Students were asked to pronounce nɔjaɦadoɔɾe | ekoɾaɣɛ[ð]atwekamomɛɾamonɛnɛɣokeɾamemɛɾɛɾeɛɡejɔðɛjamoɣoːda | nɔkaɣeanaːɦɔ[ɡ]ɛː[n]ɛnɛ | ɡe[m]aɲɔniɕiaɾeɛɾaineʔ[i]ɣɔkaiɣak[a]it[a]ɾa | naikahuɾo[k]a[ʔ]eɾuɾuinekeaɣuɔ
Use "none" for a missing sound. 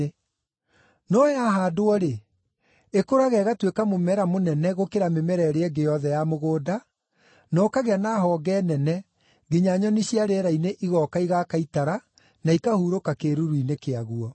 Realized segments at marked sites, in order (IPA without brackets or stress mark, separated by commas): ɣ, ɡ, n, ɲ, i, a, a, k, k